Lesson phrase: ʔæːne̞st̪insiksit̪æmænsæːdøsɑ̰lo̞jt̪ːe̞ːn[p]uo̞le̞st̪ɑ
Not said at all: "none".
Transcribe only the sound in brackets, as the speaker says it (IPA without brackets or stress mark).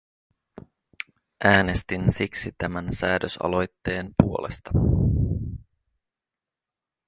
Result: p